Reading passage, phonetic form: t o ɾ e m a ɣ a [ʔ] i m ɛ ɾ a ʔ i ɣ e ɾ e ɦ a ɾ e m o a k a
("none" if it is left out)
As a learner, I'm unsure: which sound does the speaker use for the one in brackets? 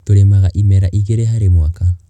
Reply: ʔ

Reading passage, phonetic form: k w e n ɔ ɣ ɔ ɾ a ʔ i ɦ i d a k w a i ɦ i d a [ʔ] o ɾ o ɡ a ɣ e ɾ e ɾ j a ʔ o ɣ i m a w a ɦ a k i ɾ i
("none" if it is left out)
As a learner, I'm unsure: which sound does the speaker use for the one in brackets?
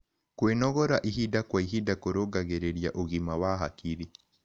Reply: k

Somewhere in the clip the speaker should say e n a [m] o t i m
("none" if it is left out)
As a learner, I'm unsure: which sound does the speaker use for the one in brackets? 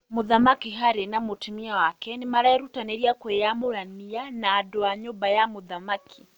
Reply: m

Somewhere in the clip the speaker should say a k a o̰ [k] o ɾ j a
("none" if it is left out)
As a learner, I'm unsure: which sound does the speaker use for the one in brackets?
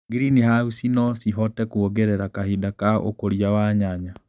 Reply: k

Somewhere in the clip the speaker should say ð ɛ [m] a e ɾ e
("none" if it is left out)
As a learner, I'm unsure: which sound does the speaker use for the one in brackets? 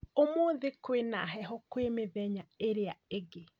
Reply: ɲ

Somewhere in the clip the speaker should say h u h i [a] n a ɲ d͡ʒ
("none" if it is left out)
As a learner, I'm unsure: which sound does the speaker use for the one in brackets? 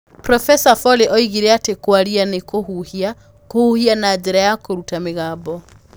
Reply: a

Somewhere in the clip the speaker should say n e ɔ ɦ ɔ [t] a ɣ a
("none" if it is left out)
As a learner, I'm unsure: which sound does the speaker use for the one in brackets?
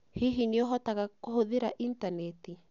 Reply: t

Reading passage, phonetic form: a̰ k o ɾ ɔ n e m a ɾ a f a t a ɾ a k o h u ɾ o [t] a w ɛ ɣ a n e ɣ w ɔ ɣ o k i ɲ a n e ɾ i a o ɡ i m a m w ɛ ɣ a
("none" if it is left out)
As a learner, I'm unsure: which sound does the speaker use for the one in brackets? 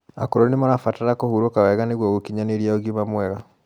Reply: k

